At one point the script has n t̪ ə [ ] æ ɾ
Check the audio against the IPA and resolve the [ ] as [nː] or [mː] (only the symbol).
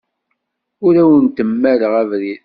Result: mː